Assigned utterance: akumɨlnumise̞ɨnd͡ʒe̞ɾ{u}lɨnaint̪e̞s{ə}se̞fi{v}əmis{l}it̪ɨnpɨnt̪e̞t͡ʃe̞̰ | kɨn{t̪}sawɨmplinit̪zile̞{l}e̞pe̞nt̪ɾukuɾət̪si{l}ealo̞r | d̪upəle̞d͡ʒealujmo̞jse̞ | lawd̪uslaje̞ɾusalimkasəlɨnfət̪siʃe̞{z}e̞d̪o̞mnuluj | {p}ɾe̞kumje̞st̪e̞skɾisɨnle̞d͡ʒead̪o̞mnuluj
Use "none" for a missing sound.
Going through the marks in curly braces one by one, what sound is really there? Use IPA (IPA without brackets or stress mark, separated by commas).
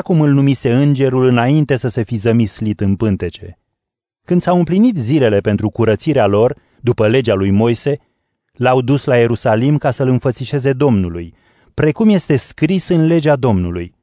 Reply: u, ə, z, l, d̪, l, ɾ, z, p